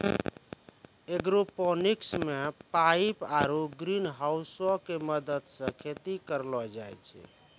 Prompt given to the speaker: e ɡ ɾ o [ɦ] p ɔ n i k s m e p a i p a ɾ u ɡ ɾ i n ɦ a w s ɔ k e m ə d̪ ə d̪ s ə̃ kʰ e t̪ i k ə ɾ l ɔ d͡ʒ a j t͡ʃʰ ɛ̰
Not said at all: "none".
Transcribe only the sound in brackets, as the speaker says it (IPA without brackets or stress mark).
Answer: none